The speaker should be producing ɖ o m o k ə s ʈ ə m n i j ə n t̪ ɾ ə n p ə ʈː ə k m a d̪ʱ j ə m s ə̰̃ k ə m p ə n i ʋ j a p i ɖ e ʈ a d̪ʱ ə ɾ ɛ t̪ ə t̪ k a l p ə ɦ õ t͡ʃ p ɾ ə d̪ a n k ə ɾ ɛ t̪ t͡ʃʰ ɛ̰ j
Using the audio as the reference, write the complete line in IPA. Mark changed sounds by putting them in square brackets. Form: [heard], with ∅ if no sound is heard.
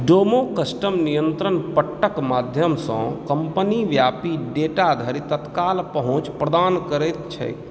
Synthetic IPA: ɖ o m o k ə s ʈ ə m n i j ə n t̪ ɾ ə n p ə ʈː ə k m a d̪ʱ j ə m s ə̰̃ k ə m p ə n i ʋ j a p i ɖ e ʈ a d̪ʱ ə ɾ [i] t̪ ə t̪ k a l p ə ɦ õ t͡ʃ p ɾ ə d̪ a n k ə ɾ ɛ t̪ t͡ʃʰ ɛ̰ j